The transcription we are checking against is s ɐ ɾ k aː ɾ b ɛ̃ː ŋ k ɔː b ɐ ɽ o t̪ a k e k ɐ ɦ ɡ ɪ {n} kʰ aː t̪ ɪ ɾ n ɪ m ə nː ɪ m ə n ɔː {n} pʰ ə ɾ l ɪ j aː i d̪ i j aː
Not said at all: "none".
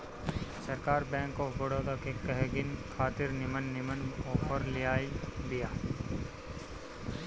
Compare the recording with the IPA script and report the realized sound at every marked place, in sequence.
n, none

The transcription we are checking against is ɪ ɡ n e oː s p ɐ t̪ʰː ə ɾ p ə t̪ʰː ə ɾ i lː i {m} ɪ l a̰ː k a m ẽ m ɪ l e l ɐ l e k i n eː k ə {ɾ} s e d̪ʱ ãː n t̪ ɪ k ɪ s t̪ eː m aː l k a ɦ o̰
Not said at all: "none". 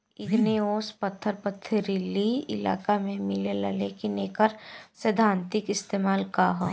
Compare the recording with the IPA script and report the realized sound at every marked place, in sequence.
none, ɾ

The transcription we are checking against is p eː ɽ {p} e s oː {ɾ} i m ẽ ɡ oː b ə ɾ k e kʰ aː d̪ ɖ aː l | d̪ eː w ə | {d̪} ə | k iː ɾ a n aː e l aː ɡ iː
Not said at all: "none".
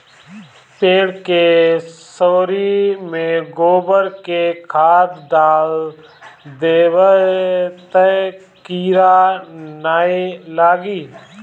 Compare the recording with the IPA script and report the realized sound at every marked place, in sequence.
k, ɾ, t̪

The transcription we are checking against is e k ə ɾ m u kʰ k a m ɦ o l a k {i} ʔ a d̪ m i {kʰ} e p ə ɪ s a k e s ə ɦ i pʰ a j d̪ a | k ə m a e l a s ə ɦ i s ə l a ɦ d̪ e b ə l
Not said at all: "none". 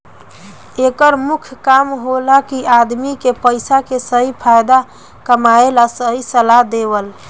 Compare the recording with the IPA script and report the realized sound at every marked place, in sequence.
i, k

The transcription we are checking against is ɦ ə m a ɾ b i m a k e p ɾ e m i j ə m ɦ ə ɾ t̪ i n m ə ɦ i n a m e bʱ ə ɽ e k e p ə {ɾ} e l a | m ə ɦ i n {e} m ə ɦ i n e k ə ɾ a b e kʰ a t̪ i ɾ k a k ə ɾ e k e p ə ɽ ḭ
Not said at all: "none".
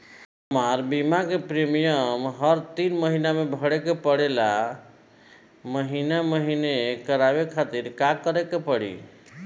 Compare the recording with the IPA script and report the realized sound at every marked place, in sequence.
ɽ, a

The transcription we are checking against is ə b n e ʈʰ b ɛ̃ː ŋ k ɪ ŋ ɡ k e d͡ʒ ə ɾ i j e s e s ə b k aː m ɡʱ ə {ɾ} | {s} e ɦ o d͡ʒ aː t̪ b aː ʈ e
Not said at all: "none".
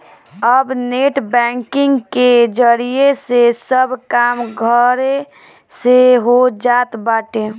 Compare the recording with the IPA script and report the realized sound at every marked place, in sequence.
ɾ, s

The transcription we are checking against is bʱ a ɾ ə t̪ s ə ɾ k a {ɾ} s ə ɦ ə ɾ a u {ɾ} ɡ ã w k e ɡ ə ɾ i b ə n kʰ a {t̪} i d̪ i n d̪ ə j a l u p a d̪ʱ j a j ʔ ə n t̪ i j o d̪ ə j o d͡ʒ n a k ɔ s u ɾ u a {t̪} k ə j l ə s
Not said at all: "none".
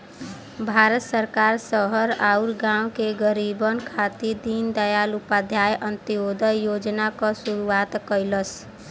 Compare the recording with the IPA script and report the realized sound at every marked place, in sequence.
ɾ, ɾ, t̪, t̪

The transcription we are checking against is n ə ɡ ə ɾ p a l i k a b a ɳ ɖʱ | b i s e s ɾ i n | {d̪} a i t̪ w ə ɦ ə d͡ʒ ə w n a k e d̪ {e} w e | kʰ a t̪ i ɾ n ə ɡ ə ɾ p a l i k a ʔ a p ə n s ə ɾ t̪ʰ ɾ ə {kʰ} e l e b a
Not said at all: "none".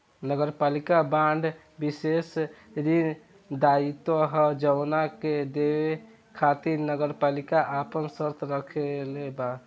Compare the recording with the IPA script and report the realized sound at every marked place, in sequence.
d̪, e, kʰ

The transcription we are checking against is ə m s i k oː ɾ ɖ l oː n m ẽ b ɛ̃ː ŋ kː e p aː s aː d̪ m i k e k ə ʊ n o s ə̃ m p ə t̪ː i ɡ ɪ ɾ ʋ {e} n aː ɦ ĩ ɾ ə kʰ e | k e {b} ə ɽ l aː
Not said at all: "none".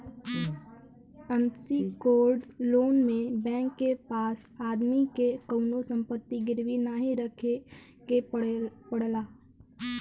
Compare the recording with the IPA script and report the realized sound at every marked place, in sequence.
i, p

